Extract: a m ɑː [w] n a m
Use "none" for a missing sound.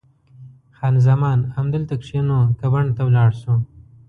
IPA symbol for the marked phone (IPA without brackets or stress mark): none